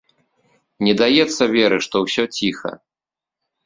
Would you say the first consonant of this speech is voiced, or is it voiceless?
voiced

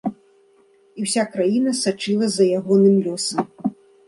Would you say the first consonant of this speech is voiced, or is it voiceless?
voiced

